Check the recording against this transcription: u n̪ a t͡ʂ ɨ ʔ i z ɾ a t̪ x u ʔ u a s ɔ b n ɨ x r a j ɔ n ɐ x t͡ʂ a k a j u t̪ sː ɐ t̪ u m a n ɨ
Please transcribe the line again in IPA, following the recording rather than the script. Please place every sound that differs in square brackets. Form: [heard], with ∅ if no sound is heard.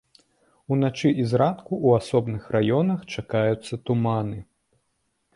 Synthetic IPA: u n̪ a t͡ʂ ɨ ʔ i z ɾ a t̪ [k] u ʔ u a s ɔ b n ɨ x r a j ɔ n ɐ x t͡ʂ a k a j u t̪ sː ɐ t̪ u m a n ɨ